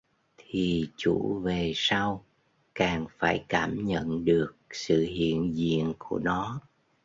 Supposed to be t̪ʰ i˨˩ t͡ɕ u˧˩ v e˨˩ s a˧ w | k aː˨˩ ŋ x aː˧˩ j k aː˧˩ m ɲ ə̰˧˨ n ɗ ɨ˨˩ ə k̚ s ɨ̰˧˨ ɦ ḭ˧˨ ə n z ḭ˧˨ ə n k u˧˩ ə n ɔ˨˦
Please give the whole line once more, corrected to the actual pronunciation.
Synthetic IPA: t̪ʰ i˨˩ t͡ɕ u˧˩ v e˨˩ s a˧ w | k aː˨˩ ŋ f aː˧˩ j k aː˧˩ m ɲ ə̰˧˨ n ɗ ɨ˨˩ ə k̚ s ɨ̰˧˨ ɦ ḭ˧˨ ə n z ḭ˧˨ ə n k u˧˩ ə n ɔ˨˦